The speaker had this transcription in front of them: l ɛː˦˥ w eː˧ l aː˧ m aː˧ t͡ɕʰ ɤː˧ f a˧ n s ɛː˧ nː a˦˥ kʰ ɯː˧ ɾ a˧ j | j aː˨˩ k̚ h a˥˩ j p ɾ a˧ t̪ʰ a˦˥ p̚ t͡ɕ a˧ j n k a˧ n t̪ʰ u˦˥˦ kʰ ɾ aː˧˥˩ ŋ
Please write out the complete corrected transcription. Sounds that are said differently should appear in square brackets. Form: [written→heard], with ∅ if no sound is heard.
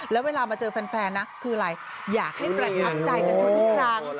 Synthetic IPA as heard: l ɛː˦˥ w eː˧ l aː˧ m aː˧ [t͡ɕʰ→t͡ɕ] ɤː˧ f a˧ n [s→f] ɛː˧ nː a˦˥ kʰ ɯː˧ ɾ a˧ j | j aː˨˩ k̚ h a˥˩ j p ɾ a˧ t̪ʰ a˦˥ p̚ t͡ɕ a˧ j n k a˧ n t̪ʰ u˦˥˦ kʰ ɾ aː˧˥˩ ŋ